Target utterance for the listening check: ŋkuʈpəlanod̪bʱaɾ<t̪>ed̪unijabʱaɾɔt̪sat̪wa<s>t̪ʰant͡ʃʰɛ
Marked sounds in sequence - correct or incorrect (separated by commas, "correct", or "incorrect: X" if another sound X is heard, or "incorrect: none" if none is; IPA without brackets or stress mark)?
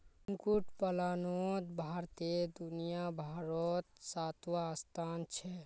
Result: correct, correct